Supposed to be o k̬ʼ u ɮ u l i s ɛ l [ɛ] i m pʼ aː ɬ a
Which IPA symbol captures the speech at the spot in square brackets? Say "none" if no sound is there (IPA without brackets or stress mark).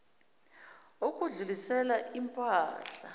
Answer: a